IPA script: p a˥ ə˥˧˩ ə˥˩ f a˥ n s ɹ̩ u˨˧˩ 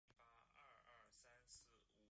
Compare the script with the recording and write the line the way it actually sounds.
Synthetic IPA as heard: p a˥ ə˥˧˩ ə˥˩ s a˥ n s ɹ̩ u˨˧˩

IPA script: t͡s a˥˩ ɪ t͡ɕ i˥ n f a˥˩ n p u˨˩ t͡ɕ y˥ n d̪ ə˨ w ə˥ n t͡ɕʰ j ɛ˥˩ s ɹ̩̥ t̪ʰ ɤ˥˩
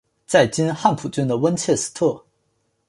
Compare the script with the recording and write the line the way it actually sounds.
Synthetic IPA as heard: t͡s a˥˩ ɪ t͡ɕ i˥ n x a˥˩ n pʰ u˨˩ t͡ɕ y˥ n d̪ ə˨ w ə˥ n t͡ɕʰ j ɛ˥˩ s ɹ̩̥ t̪ʰ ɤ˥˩

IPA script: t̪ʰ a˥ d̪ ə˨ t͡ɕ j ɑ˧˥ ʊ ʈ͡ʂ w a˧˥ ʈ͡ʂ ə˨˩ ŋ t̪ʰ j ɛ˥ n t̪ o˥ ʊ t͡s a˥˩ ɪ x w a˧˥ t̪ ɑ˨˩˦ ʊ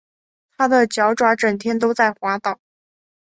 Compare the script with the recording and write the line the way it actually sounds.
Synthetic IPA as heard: t̪ʰ a˥ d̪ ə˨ t͡ɕ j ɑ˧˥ ʊ ʈ͡ʂ w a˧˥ ʈ͡ʂ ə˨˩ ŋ t̪ʰ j ɛ˥ n t̪ o˥ ʊ t͡s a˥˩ ɪ x w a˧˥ t̪ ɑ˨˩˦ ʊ

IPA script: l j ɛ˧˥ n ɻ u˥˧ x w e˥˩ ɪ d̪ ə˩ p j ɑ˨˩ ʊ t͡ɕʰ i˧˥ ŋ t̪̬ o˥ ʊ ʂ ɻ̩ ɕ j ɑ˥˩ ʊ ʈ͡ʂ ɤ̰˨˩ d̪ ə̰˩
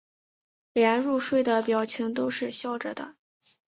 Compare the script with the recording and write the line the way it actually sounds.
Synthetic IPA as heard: l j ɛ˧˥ n ɻ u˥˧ ʂ w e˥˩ ɪ d̪ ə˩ p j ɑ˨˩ ʊ t͡ɕʰ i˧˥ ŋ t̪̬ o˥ ʊ ʂ ɻ̩ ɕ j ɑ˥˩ ʊ ʈ͡ʂ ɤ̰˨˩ d̪ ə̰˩

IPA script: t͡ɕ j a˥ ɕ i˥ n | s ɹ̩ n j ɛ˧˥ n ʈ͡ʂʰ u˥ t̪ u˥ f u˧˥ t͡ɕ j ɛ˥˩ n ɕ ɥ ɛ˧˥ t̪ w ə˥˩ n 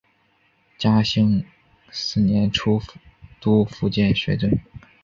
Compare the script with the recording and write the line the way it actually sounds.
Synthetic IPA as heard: t͡ɕ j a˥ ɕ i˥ ŋ | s ɹ̩ n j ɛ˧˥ n ʈ͡ʂʰ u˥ t̪ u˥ f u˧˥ t͡ɕ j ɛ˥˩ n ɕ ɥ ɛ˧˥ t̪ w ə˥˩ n

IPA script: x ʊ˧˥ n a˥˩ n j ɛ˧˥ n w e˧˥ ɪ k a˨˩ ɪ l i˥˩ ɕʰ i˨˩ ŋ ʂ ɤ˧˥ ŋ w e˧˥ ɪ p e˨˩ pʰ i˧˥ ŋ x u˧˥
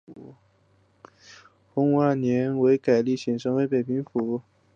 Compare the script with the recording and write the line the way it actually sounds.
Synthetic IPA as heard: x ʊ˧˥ ŋ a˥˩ n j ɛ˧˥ n w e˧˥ ɪ k a˨˩ ɪ l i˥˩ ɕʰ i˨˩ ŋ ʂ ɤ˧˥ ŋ w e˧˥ ɪ p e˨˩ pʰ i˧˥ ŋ f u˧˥

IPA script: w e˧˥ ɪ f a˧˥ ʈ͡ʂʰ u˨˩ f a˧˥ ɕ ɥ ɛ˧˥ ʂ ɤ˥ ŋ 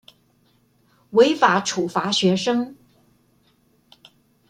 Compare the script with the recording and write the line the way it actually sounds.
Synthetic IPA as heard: w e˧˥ ɪ f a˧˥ ʈ͡ʂʰ u˨˩ f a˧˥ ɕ ɥ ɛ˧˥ ʂ ɤ˥ ŋ

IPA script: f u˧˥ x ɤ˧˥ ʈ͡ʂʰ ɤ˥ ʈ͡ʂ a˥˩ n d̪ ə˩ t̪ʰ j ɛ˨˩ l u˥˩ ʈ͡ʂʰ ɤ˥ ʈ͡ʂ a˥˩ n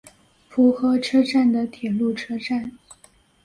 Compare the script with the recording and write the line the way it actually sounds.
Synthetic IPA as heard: f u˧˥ x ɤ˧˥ ʈ͡ʂʰ ɤ˥ ʈ͡ʂ a˥˩ n d̪ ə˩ t̪ʰ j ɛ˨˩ l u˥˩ ʈ͡ʂʰ ɤ˥ ʈ͡ʂ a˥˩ n

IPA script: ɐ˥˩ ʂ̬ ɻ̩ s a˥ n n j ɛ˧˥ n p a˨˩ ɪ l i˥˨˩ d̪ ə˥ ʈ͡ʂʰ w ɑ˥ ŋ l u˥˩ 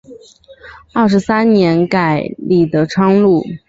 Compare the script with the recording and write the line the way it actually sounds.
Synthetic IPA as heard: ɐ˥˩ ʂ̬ ɻ̩ s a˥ n n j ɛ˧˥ n k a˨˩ ɪ l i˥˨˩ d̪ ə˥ ʈ͡ʂʰ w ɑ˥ ŋ l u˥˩

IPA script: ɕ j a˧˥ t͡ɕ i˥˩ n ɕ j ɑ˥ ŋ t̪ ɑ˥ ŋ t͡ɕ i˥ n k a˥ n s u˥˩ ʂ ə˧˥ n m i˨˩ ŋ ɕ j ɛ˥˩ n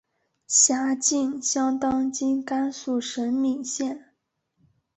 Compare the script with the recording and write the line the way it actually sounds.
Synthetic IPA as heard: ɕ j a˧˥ t͡ɕ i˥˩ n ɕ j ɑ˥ ŋ t̪ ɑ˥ ŋ t͡ɕ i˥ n k a˥ n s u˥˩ ʂ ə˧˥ n m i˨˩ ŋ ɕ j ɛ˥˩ n

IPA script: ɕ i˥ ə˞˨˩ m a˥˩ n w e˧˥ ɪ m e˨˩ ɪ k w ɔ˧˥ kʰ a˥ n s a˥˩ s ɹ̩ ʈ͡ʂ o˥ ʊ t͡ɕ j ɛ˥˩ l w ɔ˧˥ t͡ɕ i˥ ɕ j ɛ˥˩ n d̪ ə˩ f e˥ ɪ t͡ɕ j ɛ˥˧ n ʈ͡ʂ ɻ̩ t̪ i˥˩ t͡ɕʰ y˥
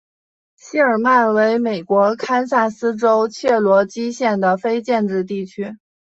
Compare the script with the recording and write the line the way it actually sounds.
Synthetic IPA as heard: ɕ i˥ ə˞˨˩ m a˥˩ n w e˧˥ ɪ m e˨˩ ɪ k w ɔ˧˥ kʰ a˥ n s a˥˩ s ɹ̩ ʈ͡ʂ o˥ ʊ t͡ɕʰ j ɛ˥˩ l w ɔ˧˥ t͡ɕ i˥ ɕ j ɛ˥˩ n d̪ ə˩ f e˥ ɪ t͡ɕ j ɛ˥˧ n ʈ͡ʂ ɻ̩ t̪ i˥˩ t͡ɕʰ y˥

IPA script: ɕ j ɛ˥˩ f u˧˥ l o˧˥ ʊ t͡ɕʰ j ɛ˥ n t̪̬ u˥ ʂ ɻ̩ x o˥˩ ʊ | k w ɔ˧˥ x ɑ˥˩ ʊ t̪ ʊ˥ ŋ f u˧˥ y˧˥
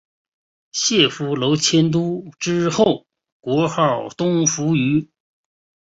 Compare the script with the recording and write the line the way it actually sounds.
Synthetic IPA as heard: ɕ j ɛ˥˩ f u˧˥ l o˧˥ ʊ t͡ɕʰ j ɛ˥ n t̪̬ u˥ ʈ͡ʂ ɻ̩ x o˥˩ ʊ | k w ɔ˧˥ x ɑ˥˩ ʊ t̪ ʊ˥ ŋ f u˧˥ y˧˥

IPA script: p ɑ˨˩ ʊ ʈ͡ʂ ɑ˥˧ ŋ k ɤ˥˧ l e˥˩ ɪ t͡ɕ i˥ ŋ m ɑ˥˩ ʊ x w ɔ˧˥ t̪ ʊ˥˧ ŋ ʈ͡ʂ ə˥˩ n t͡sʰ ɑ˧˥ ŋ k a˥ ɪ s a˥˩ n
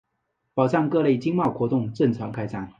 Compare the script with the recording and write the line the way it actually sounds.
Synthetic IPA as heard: p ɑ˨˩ ʊ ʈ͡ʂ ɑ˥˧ ŋ k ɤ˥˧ l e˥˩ ɪ t͡ɕ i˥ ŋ m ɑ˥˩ ʊ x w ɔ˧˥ t̪ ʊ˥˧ ŋ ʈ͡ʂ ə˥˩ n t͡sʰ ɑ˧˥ ŋ kʰ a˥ ɪ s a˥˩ n

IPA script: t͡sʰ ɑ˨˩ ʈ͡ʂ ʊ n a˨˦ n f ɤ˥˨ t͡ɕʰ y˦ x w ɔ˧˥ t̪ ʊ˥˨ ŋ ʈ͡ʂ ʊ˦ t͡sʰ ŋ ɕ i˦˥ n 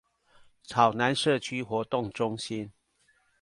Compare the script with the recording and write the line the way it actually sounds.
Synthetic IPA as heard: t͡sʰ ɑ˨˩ ʊ n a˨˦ n ʂ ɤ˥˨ t͡ɕʰ y˦ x w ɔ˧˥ t̪ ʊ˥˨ ŋ ʈ͡ʂ ʊ˦ ŋ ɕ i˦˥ n

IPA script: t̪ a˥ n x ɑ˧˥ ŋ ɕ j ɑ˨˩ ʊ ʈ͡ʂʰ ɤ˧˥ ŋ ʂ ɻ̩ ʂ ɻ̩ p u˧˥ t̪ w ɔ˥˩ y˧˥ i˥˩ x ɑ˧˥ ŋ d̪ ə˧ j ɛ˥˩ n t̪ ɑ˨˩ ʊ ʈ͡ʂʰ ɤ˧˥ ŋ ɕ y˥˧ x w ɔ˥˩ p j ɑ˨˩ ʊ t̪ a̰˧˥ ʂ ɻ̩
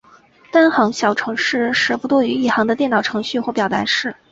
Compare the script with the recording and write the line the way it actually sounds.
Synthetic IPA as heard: t̪ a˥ n x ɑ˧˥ ŋ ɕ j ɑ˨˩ ʊ ʈ͡ʂʰ ɤ˧˥ ŋ ʂ ɻ̩ ʂ ɻ̩ p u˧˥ t̪ w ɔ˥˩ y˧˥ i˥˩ x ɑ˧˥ ŋ d̪ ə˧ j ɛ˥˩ n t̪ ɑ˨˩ ʊ ʈ͡ʂʰ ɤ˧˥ ŋ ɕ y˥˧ x w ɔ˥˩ p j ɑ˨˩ ʊ t̪ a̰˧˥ ʂ ɻ̩

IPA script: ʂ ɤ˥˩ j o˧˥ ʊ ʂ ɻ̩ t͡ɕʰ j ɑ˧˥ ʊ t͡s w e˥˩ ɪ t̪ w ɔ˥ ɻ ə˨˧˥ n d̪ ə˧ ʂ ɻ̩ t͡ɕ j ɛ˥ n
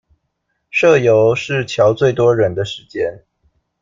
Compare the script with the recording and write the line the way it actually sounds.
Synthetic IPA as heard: ʂ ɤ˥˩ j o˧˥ ʊ ʂ ɻ̩ t͡ɕʰ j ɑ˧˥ ʊ t͡s w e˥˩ ɪ t̪ w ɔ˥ ɻ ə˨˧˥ n d̪ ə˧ ʂ ɻ̩ t͡ɕ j ɛ˥ n

